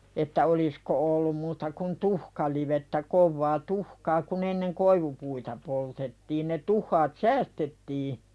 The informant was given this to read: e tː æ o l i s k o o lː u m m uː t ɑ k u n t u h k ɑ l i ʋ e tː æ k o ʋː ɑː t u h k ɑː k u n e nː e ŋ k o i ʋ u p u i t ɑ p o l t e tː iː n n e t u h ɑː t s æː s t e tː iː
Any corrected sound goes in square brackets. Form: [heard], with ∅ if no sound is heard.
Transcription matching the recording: e tː æ o l i s k o o lː u m m uː t ɑ k u n t u h k ɑ l i ʋ e tː æ k o ʋː ɑː t u h k ɑː k u n e nː e ŋ k o i ʋ u p u i t ɑ p o l t e tː iː n n e t u [hː] ɑː t s æː s t e tː iː